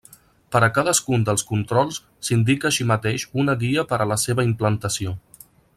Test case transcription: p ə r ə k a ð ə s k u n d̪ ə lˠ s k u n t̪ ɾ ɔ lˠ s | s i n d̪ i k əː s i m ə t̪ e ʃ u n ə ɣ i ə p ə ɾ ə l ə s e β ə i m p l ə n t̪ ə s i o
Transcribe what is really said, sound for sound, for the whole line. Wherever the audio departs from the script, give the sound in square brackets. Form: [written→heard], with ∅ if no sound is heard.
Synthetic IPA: p ə [r→ɾ] ə k a ð ə s k u n d̪ ə lˠ s k u n t̪ ɾ ɔ lˠ s | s i n d̪ i k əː [s→ʃ] i m ə t̪ e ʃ u n ə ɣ i ə p ə ɾ ə l ə s e β ə i m p l ə n t̪ ə s i o